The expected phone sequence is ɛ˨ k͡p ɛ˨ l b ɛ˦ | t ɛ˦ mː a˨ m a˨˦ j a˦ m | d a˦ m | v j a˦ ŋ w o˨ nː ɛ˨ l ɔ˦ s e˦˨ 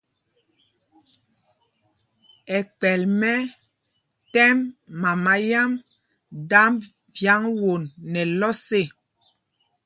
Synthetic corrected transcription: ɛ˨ k͡p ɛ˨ l m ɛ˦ | t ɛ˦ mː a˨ m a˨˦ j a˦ m | d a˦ m | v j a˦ ŋ w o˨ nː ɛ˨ l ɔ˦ s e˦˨